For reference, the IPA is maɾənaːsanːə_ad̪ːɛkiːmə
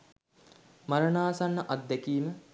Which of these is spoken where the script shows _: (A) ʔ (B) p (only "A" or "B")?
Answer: A